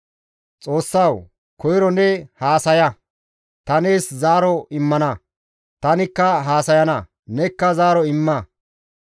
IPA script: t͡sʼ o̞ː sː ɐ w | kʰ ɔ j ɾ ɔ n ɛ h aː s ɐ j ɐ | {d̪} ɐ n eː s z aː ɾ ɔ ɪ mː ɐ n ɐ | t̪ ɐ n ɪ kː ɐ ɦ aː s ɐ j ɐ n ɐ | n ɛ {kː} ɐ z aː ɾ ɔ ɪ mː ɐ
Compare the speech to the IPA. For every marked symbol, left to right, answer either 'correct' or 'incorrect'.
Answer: incorrect, correct

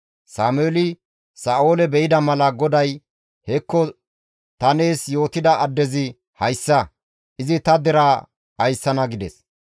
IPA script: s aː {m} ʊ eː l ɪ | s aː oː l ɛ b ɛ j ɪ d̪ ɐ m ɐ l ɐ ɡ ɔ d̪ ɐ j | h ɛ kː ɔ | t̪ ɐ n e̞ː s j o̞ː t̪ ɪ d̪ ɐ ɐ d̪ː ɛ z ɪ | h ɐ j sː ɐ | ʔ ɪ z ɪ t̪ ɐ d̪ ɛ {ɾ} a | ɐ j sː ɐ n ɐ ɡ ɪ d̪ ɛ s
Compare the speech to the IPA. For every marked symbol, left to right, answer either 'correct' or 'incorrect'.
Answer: correct, correct

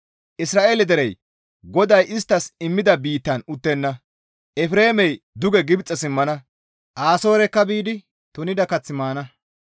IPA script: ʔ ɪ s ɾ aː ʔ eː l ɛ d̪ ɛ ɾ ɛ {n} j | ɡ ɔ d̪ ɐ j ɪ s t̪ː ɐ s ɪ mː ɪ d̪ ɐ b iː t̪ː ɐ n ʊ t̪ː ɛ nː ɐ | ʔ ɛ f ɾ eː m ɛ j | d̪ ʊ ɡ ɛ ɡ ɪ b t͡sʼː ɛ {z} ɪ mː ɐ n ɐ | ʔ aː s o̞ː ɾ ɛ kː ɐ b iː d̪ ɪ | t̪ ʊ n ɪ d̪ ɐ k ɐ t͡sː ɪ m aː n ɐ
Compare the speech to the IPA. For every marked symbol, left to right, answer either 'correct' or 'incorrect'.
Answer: incorrect, incorrect

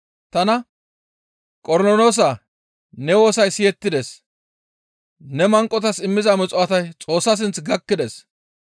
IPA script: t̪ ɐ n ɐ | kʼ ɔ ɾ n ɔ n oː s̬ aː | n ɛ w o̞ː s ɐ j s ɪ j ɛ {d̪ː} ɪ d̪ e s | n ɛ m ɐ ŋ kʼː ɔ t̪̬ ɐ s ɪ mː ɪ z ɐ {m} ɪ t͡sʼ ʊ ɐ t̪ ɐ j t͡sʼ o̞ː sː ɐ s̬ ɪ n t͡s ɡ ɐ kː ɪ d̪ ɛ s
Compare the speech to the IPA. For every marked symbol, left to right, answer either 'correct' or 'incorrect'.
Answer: incorrect, correct

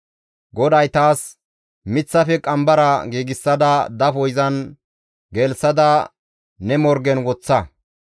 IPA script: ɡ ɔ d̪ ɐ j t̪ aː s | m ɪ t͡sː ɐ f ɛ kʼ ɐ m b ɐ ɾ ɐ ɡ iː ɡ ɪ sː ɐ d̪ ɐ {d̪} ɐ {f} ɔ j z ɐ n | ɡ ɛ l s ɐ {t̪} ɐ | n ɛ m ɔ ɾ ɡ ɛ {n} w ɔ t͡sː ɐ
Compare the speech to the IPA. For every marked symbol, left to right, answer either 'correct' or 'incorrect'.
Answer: correct, correct, incorrect, correct

